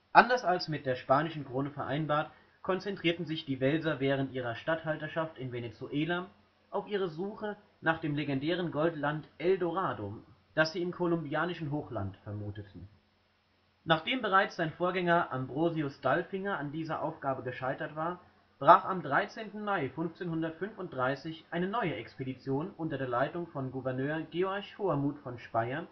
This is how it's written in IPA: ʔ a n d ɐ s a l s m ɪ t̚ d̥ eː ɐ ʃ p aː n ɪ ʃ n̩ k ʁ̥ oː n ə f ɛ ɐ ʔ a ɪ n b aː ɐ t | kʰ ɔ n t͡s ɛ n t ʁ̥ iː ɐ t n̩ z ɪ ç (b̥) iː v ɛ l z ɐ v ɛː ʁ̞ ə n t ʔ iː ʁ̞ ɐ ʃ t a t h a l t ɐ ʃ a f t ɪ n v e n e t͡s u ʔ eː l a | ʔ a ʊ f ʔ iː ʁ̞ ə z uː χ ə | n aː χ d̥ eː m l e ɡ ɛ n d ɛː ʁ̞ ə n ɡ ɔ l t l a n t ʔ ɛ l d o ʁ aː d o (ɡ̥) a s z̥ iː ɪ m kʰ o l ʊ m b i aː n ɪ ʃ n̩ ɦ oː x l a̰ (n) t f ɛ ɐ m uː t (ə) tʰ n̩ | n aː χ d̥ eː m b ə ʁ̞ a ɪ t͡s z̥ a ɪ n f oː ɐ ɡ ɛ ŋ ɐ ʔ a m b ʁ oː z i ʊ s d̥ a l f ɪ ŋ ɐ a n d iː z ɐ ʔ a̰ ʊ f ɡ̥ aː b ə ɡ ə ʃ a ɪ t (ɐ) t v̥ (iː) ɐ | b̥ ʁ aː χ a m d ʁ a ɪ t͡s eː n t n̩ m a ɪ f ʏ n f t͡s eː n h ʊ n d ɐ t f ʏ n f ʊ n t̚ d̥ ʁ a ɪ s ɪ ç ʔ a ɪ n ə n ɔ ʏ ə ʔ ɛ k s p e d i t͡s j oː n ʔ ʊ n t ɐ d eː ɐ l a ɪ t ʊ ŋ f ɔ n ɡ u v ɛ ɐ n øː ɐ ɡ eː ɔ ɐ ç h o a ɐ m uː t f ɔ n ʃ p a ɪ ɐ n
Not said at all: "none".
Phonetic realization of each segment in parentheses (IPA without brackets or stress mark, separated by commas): d̥, d̥, n, ə, ɐ, aː